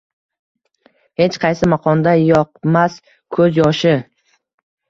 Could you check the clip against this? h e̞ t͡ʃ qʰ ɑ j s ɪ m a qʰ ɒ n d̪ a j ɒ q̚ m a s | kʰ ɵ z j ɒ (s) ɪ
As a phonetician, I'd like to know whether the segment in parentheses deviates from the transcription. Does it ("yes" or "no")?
yes